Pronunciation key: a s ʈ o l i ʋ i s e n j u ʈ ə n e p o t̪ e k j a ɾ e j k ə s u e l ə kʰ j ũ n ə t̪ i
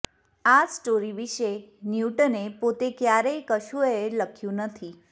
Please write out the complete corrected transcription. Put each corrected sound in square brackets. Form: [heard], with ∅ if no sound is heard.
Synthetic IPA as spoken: a s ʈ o [ɾ] i ʋ i [ʃ] e n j u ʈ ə n e p o t̪ e k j a ɾ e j k ə [ʃ] u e l ə kʰ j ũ n ə [t̪ʰ] i